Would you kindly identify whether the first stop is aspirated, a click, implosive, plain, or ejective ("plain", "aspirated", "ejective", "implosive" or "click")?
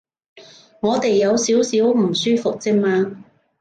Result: plain